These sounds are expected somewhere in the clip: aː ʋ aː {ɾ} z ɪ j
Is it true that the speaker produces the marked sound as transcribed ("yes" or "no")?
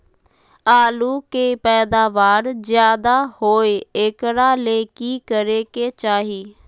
yes